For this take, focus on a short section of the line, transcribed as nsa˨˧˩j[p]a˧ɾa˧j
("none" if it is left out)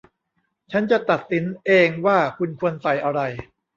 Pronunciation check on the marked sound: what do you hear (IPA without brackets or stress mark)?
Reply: ʔ